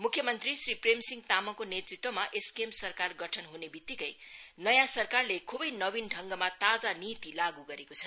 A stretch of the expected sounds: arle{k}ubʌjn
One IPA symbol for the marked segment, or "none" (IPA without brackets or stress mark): kʰ